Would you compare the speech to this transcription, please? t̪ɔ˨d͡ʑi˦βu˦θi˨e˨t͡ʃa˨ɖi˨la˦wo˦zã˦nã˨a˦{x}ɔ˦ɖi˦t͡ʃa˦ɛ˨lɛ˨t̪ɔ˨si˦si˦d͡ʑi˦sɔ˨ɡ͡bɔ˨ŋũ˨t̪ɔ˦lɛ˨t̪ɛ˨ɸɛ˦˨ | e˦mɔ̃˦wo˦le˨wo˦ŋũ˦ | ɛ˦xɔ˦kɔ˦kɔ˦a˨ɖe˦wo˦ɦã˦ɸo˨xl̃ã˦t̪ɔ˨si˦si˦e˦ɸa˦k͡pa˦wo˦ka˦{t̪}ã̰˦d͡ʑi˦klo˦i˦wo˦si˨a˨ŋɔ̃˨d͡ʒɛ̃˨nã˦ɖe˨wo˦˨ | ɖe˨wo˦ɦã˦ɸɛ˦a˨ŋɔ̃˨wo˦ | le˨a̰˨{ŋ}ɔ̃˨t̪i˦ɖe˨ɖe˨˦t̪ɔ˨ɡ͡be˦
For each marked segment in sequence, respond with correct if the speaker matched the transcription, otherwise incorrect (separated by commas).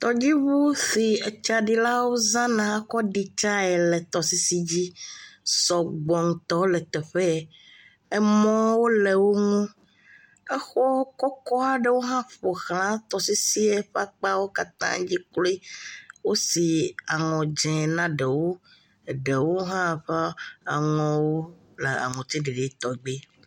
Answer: incorrect, correct, correct